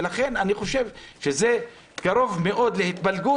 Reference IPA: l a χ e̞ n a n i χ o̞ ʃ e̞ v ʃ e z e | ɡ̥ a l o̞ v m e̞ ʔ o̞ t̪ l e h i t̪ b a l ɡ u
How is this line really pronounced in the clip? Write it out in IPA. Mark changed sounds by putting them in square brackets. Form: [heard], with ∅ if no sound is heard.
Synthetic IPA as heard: l a χ e̞ n a n i χ o̞ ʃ e̞ v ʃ e z e | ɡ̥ a [ɾ] o̞ v m e̞ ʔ o̞ [d̪] l e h i t̪ b a l ɡ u